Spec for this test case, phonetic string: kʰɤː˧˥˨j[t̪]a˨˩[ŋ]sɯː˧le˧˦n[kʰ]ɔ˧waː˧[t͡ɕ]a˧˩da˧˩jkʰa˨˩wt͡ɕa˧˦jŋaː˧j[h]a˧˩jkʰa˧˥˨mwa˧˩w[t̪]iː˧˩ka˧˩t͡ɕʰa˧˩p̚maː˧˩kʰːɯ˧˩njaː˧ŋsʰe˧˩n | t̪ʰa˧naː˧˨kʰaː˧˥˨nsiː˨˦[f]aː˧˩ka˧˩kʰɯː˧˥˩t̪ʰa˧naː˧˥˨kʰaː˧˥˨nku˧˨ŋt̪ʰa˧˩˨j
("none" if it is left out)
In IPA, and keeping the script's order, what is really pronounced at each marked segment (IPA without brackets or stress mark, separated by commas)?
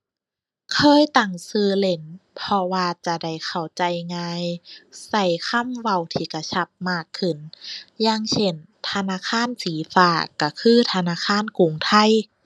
t̪, ŋ, pʰ, t͡ɕ, s, t̪ʰ, f